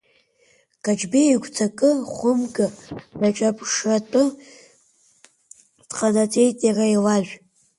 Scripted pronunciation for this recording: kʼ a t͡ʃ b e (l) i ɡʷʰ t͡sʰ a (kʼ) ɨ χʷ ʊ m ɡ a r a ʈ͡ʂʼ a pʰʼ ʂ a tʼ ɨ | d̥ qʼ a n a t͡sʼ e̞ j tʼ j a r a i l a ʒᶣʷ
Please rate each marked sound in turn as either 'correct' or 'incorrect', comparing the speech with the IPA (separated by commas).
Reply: incorrect, correct